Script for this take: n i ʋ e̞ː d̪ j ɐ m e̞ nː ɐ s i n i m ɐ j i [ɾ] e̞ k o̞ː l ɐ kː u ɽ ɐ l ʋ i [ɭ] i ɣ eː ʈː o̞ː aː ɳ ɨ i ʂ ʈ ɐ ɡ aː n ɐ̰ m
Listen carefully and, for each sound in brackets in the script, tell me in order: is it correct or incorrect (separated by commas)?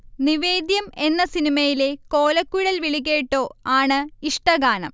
incorrect, correct